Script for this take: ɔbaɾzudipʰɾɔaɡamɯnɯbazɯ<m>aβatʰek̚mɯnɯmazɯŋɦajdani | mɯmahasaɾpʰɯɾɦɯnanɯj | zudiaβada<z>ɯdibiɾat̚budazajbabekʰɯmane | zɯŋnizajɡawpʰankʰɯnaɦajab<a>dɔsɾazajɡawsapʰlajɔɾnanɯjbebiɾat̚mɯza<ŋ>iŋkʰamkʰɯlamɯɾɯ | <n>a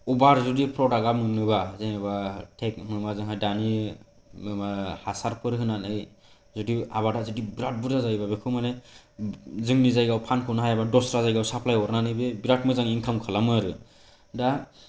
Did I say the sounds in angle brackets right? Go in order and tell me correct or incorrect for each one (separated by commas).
incorrect, correct, correct, correct, incorrect